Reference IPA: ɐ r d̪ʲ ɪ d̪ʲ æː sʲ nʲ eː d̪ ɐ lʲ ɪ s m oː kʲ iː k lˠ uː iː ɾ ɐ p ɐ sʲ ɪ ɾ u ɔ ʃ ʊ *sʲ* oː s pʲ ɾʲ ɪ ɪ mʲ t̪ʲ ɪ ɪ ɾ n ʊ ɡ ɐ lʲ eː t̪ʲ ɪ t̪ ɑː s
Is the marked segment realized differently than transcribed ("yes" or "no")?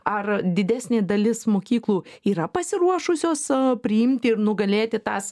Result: no